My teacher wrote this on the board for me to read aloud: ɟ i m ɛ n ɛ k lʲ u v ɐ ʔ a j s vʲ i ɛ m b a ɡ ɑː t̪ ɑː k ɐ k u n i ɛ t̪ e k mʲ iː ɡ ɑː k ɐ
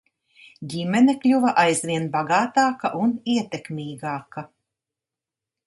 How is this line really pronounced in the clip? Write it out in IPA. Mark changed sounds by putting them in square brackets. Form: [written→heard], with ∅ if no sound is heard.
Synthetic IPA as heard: ɟ i m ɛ n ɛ k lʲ u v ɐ ʔ a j [s→z] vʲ i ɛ [m→n] b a ɡ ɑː t̪ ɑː k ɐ [k→ʔ] u n i ɛ t̪ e k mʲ iː ɡ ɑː k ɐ